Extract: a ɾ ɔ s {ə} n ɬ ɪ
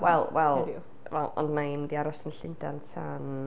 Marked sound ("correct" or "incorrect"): correct